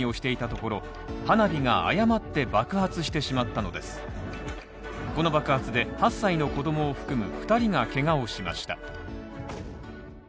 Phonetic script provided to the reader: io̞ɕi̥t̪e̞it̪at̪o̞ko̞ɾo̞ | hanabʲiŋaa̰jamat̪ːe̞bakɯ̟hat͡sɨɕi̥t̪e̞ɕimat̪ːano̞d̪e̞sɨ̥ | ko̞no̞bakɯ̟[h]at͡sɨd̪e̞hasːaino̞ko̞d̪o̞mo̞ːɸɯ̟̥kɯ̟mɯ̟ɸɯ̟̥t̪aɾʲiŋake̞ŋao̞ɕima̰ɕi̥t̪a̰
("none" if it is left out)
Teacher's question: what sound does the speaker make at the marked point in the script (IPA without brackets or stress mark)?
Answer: h